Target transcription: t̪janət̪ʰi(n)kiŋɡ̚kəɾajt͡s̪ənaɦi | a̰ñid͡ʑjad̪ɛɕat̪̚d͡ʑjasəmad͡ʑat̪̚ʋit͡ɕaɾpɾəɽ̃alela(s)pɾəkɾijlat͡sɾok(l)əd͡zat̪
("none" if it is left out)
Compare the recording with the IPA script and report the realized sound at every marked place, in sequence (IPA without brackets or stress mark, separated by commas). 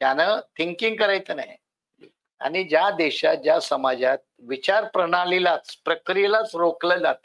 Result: ŋ, t͡s, l